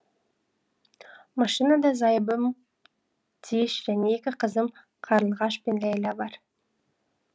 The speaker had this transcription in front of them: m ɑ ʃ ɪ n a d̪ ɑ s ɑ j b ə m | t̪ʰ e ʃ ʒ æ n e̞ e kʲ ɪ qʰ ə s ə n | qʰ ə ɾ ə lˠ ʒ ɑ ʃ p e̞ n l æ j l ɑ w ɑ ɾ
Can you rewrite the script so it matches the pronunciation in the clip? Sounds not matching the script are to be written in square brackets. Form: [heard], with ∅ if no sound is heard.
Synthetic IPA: m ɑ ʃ [i] n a d̪ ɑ [z] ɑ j b ə m | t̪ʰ e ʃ ʒ æ n e̞ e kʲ ɪ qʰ ə [z] ə [m] | qʰ [ɑ] ɾ ə lˠ [ʁ] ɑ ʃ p e̞ n l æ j l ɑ [b] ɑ ɾ